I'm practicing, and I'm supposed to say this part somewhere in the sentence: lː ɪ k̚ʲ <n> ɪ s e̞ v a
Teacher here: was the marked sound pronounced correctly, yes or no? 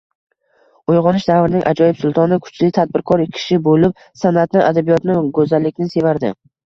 yes